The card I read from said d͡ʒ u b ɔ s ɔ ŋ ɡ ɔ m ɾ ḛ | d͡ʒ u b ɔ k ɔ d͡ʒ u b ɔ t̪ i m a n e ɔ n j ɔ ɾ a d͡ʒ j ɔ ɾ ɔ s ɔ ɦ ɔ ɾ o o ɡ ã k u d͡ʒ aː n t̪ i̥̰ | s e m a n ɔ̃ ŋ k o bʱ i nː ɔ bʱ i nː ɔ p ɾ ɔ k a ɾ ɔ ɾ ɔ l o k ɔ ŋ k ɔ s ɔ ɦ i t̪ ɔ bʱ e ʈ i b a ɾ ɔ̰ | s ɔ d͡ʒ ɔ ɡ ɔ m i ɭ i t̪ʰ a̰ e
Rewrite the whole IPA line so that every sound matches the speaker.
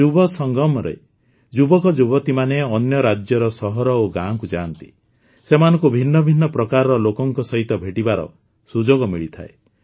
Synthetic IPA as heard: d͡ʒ u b ɔ s ɔ ŋ ɡ ɔ m ɾ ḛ | d͡ʒ u b ɔ k ɔ d͡ʒ u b ɔ t̪ i m a n e ɔ n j ɔ ɾ a d͡ʒ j ɔ ɾ ɔ s ɔ ɦ ɔ ɾ ɔ o ɡ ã k u d͡ʒ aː n t̪ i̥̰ | s e m a n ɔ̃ ŋ k u bʱ i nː ɔ bʱ i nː ɔ p ɾ ɔ k a ɾ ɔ ɾ ɔ l o k ɔ ŋ k ɔ s ɔ ɦ i t̪ ɔ bʱ e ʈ i b a ɾ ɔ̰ | s u d͡ʒ o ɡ ɔ m i ɭ i t̪ʰ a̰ e